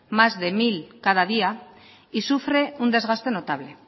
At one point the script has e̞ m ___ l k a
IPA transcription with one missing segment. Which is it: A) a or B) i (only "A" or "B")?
B